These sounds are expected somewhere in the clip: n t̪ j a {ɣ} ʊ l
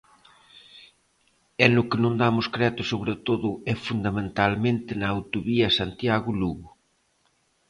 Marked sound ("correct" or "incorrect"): correct